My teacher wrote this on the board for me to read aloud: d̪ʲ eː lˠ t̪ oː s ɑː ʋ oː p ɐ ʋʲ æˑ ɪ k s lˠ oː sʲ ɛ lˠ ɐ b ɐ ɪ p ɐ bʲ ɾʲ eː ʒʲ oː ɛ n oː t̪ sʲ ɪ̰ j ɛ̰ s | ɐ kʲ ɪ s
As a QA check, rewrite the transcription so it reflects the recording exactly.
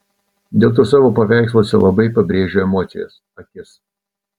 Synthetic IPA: d̪ʲ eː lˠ t̪ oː s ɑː ʋ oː p ɐ ʋʲ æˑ ɪ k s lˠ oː sʲ ɛ lˠ ɐ b ɐ ɪ p ɐ bʲ ɾʲ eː ʒʲ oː ɛ m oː t̪ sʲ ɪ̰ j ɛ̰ s | ɐ kʲ ɪ s